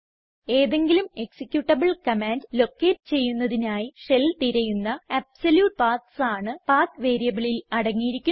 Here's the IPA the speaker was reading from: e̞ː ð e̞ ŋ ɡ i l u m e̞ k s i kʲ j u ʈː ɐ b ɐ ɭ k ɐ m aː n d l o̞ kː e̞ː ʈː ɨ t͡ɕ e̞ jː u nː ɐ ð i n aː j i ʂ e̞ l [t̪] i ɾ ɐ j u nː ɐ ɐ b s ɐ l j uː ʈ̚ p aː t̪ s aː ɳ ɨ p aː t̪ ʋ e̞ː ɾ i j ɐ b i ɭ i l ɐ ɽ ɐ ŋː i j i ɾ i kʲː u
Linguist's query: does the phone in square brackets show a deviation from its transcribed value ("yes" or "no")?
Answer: no